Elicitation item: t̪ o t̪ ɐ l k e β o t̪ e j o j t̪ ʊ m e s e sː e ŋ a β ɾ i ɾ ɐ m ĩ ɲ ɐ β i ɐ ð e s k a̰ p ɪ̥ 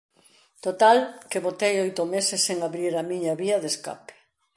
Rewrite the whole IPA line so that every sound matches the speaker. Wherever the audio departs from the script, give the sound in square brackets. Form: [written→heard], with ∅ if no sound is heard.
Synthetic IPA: t̪ o t̪ [ɐ→a] l k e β o t̪ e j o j t̪ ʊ m e s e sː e ŋ a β ɾ i ɾ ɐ m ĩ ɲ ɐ β i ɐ ð e s k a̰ p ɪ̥